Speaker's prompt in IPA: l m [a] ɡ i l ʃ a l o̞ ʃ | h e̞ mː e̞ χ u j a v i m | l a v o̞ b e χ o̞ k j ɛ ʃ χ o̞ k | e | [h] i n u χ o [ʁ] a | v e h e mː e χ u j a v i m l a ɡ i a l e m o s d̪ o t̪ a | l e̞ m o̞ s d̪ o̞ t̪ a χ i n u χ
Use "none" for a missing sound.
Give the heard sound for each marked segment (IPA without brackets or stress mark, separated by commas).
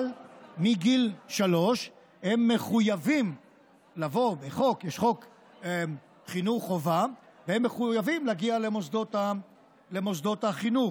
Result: i, χ, v